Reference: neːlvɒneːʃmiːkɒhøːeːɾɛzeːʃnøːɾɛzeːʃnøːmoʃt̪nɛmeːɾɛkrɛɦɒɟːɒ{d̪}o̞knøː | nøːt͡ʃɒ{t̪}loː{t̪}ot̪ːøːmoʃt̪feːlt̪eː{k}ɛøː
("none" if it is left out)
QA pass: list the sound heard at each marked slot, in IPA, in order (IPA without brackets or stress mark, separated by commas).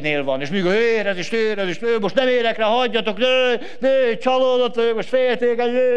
t̪, none, d̪, k